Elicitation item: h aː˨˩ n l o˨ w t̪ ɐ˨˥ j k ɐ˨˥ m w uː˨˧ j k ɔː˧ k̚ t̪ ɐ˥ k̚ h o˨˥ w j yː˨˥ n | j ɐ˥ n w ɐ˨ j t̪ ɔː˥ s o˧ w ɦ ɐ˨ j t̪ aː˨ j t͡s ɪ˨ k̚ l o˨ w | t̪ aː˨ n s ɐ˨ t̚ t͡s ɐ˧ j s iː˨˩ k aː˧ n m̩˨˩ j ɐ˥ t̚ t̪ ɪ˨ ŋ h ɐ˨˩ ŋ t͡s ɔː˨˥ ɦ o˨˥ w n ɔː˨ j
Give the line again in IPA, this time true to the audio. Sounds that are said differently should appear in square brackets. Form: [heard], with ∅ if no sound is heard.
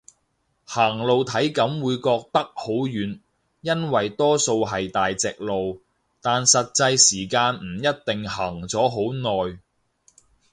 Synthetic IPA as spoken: h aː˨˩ [ŋ] l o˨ w [t̪ʰ] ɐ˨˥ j k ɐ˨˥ m w uː˨˧ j k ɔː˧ k̚ t̪ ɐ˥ k̚ h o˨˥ w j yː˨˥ n | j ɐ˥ n w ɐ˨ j t̪ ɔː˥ s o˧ w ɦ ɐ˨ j t̪ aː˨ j t͡s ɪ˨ k̚ l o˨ w | t̪ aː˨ n s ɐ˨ t̚ t͡s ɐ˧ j s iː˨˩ k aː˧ n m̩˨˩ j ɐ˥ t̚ t̪ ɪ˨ ŋ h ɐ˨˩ ŋ t͡s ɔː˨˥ ɦ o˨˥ w n ɔː˨ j